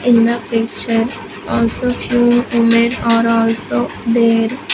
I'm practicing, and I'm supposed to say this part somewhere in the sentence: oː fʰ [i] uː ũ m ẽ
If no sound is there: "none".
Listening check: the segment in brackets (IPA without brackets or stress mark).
j